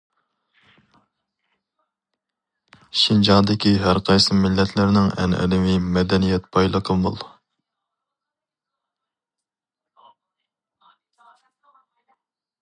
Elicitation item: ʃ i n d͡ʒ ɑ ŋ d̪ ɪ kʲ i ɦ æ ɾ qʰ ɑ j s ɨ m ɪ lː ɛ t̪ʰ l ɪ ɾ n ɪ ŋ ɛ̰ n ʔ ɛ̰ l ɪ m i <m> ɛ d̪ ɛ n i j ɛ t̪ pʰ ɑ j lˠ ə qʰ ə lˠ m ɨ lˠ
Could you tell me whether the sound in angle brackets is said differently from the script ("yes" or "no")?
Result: no